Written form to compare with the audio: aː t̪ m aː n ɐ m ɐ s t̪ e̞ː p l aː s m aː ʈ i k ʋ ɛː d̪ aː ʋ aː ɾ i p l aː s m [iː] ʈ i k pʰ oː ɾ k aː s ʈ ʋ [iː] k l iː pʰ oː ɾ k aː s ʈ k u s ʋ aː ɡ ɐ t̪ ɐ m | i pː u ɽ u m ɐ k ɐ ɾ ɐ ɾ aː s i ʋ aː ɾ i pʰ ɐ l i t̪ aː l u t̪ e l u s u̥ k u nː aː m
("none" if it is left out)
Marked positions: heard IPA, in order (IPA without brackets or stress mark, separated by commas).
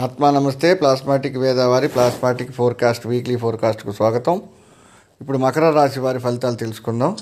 aː, iː